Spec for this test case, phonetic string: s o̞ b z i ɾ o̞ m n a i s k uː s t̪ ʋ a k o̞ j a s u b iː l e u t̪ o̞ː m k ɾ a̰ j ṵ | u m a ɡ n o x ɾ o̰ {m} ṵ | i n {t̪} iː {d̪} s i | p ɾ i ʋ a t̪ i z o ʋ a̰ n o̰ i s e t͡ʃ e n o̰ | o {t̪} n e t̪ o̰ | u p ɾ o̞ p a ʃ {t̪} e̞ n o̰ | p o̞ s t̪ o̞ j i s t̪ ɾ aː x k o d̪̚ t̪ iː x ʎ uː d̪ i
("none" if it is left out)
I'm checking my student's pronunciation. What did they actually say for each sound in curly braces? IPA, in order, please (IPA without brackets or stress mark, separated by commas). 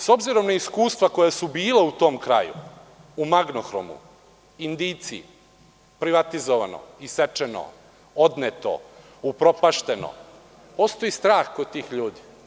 m, d̪, t̪, d̪, t̪